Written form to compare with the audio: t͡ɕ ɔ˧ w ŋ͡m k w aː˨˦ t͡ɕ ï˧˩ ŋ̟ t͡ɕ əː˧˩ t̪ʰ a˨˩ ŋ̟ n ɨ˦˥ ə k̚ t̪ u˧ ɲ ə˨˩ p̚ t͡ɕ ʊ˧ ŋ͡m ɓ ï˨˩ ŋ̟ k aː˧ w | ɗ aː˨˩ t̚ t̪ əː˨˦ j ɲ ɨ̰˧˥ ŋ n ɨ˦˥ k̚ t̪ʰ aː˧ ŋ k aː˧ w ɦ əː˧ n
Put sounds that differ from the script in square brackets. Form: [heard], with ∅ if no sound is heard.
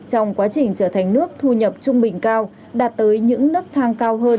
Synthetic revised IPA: t͡ɕ ɔ˧ w ŋ͡m k w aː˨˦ t͡ɕ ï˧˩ ŋ̟ t͡ɕ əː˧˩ t̪ʰ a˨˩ ŋ̟ n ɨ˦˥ ə k̚ [t̪ʰ] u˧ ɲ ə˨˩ p̚ t͡ɕ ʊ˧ ŋ͡m ɓ ï˨˩ ŋ̟ k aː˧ w | ɗ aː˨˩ t̚ t̪ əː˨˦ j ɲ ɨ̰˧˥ ŋ n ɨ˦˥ k̚ t̪ʰ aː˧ ŋ k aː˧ w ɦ əː˧ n